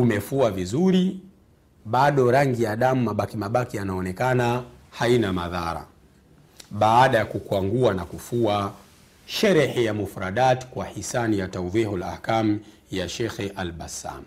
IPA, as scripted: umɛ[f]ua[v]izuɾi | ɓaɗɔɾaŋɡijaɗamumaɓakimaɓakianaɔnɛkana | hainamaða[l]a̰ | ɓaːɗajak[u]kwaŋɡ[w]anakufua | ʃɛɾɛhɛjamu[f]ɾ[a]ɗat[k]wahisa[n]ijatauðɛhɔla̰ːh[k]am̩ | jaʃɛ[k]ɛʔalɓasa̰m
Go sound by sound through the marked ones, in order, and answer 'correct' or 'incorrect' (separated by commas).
correct, correct, incorrect, correct, incorrect, correct, correct, correct, correct, correct, incorrect